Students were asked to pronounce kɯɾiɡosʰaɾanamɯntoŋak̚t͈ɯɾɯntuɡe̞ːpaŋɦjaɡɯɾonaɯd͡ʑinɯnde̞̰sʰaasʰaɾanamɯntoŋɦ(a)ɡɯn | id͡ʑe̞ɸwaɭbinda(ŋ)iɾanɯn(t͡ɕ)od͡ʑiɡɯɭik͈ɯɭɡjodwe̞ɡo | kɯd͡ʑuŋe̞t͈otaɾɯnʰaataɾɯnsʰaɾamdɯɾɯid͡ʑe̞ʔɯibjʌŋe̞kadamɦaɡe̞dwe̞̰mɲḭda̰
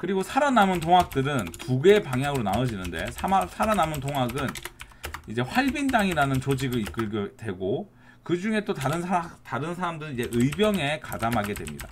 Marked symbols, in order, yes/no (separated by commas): yes, yes, yes